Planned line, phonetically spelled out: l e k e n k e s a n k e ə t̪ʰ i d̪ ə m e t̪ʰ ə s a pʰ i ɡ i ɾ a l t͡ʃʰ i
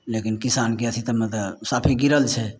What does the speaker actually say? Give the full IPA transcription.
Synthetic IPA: l e k i n k i s a n k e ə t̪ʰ i t̪ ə m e t̪ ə s a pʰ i ɡ i ɾ ə l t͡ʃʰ ɛ